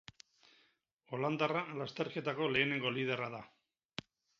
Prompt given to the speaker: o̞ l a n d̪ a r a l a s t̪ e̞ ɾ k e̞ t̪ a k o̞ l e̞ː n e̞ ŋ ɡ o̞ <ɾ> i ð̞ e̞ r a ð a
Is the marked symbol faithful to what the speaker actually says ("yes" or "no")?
no